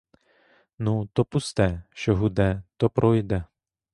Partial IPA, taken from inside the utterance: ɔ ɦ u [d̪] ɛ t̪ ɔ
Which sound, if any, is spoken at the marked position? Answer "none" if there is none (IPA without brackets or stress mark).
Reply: d̪